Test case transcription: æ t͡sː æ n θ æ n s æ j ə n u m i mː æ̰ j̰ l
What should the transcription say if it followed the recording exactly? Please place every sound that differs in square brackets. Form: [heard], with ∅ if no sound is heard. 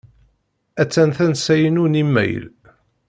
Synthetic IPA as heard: æ t͡sː æ n θ æ n s æ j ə n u [n] i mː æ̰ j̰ l